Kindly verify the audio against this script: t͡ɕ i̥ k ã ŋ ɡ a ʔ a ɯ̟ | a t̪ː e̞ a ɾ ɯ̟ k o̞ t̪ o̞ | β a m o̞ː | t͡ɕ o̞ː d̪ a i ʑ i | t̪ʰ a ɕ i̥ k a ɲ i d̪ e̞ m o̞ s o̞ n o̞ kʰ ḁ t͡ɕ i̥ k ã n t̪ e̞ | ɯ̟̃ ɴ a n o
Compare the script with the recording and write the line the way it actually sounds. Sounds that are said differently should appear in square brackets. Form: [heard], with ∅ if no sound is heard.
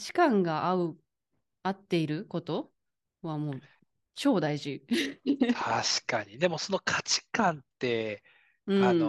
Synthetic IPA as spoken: t͡ɕ i̥ k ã ŋ ɡ a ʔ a ɯ̟ | a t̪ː e̞ [i] ɾ ɯ̟ k o̞ t̪ o̞ | β a m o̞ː | t͡ɕ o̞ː d̪ a i ʑ i | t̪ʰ a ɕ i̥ k a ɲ i d̪ e̞ m o̞ s o̞ n o̞ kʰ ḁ t͡ɕ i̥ k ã n t̪ e̞ | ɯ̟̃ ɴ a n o